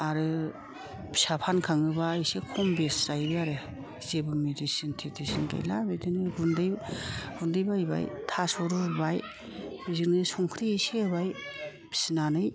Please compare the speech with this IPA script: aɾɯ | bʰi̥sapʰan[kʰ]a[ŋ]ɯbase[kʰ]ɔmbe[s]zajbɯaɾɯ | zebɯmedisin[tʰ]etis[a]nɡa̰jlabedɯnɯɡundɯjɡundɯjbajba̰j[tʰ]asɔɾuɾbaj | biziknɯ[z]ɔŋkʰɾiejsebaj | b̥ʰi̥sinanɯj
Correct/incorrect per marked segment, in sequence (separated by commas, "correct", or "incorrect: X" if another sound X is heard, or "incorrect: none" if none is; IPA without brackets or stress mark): correct, correct, correct, correct, correct, incorrect: i, correct, incorrect: s